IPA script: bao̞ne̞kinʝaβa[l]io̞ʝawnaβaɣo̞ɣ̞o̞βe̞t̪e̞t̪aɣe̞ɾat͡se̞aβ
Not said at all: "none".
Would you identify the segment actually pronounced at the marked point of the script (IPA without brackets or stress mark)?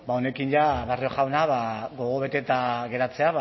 r